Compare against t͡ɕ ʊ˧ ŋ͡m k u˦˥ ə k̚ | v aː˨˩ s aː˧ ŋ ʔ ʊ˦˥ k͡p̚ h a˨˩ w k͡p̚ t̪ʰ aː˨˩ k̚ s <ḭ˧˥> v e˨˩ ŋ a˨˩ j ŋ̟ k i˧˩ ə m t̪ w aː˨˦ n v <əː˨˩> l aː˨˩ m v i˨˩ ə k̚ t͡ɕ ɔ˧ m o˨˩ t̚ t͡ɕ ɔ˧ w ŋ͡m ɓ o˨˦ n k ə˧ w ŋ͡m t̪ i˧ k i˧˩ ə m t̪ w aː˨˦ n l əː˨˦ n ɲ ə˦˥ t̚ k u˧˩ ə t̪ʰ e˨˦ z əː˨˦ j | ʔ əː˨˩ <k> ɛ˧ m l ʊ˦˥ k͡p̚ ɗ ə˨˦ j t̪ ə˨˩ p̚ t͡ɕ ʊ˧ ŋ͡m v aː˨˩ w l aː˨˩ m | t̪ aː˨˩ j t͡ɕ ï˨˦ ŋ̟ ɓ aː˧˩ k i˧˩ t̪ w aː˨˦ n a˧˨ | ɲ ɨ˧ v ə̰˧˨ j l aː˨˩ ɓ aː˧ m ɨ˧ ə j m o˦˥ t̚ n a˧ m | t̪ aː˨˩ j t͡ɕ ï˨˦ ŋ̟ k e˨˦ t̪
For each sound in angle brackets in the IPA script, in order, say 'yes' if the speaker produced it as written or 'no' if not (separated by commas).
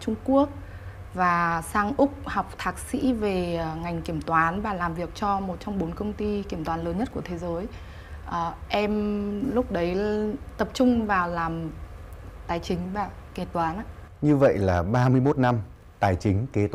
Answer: yes, no, no